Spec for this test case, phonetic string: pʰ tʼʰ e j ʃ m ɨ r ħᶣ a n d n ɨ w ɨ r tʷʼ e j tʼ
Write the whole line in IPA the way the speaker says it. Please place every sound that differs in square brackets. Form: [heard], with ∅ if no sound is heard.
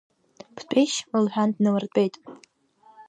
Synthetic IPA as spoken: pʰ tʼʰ e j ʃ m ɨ [l] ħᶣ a n d n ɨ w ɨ r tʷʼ e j tʼ